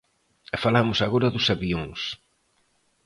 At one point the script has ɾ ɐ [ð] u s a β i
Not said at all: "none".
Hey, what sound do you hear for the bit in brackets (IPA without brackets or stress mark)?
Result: ð